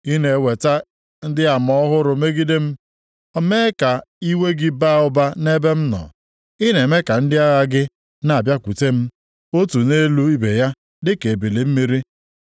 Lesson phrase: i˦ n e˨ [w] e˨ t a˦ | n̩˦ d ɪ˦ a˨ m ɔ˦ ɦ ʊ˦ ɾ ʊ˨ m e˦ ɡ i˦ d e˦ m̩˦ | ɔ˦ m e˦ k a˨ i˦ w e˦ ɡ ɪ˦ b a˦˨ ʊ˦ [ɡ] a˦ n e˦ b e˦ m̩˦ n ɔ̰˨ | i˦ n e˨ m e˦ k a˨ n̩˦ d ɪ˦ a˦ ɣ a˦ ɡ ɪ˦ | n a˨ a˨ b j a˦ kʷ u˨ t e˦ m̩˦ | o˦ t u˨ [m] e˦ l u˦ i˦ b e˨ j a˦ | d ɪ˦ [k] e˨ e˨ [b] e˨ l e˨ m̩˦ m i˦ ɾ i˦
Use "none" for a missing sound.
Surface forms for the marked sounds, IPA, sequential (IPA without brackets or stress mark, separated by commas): w, b, n, k, b